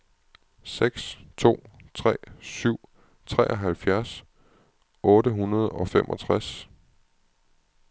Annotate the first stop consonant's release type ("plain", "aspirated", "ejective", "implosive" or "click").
plain